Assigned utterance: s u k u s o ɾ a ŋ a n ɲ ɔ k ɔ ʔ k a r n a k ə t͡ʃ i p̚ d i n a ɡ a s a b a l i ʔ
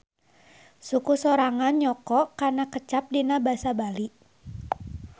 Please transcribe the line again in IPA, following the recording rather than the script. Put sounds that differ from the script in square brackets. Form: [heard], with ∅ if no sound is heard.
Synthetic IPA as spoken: s u k u s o ɾ a ŋ a n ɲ ɔ k ɔ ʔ k a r n a k ə t͡ʃ [a] p̚ d i n a [b] a s a b a l i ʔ